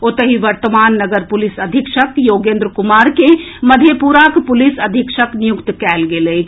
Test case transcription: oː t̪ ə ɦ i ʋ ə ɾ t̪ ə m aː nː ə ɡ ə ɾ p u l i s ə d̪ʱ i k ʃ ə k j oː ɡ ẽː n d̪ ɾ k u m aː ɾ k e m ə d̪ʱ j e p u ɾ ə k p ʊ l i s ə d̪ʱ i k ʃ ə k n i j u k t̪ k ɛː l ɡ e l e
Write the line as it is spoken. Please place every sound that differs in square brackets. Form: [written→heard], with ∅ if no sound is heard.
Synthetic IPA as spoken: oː t̪ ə ɦ i ʋ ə ɾ t̪ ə m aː nː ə ɡ ə ɾ p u l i s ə d̪ʱ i k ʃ ə k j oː ɡ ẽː n d̪ ɾ k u m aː ɾ k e m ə d̪ʱ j e p u ɾ [ə→a] k p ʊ l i s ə d̪ʱ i k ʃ ə k n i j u k t̪ k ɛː l ɡ e l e